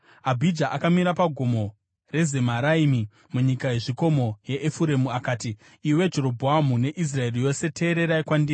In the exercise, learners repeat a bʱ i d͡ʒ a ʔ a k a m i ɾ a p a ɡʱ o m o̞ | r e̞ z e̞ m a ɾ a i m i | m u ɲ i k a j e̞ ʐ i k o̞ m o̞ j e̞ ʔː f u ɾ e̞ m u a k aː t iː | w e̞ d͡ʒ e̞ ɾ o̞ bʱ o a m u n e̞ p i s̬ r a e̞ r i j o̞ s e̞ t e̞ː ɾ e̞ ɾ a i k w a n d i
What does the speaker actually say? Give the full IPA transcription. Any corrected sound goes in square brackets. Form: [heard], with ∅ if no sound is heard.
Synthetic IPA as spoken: a bʱ i d͡ʒ a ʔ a k a m i ɾ a p a ɡʱ o m o̞ | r e̞ z e̞ m a ɾ a i m i | m u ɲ i k a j e̞ ʐ i k o̞ m o̞ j e̞ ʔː f u ɾ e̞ m u a k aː t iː | w e̞ d͡ʒ e̞ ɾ o̞ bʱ o a m u n e̞ [ʔ] i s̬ r a e̞ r i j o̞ s e̞ t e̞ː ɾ e̞ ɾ a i k w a n d i